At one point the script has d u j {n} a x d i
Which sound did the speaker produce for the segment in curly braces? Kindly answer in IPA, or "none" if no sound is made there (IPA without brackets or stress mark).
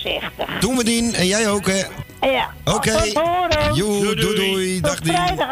d